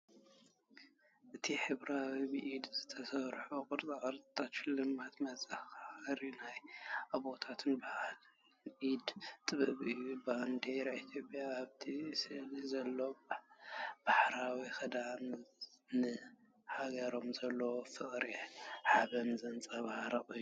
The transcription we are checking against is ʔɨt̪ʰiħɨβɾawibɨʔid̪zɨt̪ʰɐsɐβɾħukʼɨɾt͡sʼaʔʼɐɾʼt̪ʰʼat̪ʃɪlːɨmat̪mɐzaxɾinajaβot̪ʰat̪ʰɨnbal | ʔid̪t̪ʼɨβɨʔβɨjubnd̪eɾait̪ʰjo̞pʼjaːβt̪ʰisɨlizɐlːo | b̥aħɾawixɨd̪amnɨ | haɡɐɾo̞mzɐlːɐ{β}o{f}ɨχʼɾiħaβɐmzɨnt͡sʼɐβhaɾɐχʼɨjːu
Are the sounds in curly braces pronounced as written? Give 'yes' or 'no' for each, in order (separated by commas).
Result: no, yes